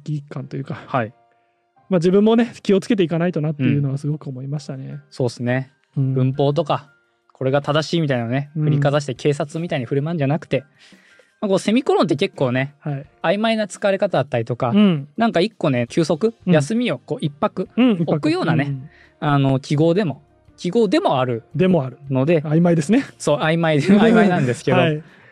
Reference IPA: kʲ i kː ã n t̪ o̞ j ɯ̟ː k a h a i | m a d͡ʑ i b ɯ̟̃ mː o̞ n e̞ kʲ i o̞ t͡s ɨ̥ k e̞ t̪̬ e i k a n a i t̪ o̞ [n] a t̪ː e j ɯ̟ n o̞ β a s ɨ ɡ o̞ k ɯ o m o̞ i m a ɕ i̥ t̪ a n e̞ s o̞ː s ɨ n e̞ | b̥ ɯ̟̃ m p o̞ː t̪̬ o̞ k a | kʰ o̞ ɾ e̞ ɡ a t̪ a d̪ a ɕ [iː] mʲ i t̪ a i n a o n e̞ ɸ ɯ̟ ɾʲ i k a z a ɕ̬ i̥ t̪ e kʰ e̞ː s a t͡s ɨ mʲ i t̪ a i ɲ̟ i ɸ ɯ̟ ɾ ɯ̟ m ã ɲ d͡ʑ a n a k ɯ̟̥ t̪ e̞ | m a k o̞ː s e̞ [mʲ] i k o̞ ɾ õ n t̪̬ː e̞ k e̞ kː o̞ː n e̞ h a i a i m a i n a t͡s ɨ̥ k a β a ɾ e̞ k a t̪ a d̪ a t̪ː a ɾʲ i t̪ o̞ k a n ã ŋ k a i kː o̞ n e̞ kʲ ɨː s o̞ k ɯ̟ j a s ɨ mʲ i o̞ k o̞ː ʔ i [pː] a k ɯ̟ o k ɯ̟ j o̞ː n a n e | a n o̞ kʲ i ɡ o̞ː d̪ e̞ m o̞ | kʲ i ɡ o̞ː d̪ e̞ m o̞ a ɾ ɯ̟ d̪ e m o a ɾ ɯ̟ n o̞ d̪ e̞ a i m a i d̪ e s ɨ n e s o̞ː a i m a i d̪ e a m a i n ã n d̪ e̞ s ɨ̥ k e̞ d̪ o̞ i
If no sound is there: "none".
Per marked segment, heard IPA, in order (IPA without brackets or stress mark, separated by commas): n, iː, mʲ, pː